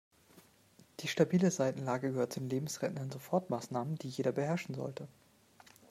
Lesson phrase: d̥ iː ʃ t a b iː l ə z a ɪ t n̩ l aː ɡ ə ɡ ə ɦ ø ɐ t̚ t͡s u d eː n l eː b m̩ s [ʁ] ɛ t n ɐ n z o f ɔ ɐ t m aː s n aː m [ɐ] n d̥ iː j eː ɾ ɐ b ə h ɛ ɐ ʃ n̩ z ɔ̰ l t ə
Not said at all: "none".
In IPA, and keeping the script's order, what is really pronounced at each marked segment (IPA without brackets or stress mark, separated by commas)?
ʁ, ə